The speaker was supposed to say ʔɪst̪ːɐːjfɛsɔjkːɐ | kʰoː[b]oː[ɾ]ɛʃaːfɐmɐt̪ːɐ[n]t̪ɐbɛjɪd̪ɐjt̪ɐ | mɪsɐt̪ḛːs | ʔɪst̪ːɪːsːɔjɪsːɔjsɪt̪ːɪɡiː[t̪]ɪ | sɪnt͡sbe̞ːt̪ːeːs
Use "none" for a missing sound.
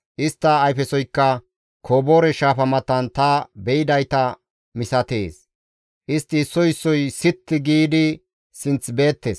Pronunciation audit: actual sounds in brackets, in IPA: b, ɾ, n, d̪

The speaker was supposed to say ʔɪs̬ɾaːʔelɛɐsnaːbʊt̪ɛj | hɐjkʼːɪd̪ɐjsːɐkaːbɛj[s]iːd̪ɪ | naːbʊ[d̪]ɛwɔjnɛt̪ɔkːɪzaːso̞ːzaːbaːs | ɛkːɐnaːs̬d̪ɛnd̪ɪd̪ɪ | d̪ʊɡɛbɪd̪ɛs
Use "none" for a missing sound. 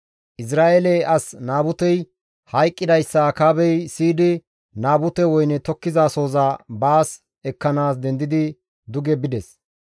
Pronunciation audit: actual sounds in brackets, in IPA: s, t̪

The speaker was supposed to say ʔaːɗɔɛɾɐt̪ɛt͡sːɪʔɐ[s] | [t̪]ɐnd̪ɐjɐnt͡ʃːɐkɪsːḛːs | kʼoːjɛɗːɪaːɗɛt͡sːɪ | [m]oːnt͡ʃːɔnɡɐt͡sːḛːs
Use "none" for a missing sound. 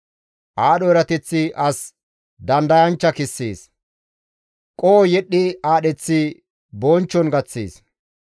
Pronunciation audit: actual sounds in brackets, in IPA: s, d̪, b

